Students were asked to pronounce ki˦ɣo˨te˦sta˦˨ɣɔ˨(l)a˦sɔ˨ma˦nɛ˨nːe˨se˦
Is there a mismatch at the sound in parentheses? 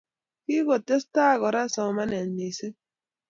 yes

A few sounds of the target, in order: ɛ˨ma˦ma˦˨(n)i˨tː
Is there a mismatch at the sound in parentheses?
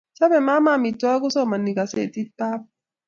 yes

